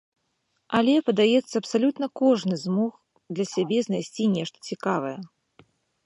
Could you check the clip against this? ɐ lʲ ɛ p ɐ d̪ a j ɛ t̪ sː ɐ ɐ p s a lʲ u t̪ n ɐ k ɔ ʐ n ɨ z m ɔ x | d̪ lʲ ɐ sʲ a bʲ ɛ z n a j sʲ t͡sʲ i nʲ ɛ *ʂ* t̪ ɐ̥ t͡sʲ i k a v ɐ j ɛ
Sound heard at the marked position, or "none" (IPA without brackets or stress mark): ʂ